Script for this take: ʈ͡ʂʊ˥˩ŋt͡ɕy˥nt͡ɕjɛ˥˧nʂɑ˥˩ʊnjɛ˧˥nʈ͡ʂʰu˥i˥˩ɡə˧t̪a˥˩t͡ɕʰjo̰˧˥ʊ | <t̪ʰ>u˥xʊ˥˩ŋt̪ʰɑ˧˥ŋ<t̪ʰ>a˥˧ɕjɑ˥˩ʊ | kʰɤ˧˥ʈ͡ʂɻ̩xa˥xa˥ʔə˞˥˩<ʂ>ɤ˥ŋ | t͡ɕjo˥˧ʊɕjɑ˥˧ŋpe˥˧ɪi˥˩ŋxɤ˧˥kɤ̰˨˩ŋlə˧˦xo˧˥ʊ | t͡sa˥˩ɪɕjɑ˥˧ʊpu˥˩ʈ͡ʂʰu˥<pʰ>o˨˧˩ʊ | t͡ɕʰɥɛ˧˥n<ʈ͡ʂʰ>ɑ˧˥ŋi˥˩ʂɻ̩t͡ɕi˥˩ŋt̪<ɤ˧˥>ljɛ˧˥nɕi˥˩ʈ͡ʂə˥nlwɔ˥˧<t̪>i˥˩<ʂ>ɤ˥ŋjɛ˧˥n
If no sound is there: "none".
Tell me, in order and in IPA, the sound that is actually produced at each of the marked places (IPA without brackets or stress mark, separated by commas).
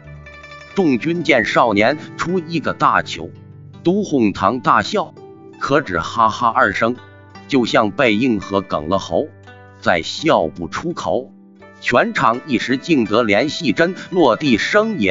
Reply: t̪, t̪, ʂ, kʰ, ʈ͡ʂʰ, ɤ˧˥, t̪, ʂ